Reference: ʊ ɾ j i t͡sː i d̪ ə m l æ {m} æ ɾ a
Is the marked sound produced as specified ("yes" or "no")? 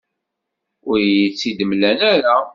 no